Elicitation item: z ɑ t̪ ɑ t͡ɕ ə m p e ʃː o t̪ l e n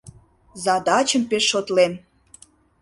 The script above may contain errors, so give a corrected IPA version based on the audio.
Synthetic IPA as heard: z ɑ d̪ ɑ t͡ɕ ə m p e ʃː o t̪ l e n